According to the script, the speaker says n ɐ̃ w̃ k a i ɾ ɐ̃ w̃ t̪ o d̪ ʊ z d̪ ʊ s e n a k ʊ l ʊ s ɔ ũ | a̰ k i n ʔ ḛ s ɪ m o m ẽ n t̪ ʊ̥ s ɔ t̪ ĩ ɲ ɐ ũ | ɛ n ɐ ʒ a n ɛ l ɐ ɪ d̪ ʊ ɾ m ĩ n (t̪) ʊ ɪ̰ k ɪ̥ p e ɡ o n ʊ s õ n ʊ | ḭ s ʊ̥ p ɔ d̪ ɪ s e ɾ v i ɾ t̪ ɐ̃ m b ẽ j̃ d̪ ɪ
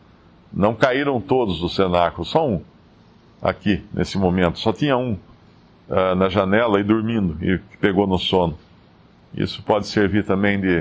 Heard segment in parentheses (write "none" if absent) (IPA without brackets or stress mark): d̪